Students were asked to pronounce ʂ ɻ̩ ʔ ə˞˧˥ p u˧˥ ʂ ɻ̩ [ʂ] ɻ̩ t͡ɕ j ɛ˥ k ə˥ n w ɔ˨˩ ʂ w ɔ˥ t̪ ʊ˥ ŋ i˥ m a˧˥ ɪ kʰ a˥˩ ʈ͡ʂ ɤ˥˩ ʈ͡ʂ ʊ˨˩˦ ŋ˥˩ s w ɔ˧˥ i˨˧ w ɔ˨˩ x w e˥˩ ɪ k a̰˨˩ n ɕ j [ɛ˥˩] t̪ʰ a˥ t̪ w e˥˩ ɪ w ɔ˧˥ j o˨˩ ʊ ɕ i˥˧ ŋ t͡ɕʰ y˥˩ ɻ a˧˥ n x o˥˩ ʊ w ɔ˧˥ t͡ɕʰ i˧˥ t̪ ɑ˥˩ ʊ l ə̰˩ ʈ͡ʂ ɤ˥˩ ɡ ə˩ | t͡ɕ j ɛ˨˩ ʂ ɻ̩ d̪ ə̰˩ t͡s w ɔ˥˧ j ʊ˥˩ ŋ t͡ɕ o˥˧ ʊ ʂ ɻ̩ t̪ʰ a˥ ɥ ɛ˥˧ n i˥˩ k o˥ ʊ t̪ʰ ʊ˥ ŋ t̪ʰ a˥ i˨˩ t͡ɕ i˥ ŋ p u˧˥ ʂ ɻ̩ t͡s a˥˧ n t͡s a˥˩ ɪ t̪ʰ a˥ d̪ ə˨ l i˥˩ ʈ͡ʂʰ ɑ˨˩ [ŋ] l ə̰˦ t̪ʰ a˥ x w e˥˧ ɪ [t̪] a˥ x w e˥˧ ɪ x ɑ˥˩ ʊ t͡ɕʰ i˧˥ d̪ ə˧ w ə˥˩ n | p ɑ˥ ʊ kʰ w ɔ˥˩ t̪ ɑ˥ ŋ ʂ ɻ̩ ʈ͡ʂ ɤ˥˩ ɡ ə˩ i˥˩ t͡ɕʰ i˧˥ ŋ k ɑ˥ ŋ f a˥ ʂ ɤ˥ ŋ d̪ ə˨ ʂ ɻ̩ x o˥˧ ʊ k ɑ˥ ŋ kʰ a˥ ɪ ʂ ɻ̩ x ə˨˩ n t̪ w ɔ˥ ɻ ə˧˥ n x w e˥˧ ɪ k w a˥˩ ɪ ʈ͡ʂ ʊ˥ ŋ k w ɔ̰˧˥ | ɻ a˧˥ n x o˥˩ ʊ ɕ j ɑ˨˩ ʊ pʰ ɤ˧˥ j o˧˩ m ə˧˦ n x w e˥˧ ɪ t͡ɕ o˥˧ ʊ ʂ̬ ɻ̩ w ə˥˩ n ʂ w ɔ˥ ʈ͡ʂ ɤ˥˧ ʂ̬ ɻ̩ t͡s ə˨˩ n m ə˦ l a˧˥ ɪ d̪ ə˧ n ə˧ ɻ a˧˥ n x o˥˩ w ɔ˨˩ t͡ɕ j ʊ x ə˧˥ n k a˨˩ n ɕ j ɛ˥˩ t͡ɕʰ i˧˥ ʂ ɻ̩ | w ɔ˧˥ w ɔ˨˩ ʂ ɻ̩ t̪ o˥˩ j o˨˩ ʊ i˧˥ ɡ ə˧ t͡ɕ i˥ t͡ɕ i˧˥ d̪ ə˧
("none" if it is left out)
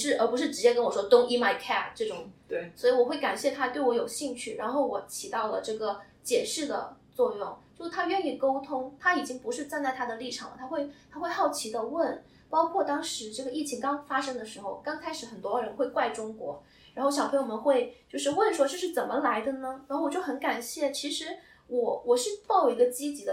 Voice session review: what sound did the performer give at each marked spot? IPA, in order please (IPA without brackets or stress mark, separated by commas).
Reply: ʈ͡ʂ, ɛ˥˩, ŋ, t̪ʰ